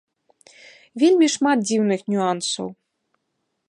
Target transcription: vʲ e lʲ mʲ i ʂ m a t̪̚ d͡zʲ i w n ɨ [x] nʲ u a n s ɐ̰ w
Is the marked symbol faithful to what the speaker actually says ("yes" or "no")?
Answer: yes